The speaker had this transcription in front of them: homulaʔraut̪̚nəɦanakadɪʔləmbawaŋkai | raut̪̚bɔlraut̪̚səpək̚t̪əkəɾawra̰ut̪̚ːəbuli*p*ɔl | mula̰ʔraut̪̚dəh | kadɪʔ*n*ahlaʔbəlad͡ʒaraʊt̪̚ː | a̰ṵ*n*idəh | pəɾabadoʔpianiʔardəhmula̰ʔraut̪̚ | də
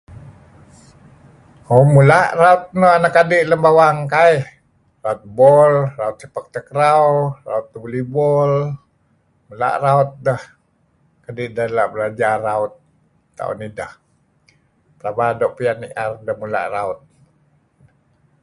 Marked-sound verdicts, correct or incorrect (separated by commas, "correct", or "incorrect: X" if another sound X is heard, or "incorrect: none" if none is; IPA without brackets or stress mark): incorrect: b, incorrect: d, correct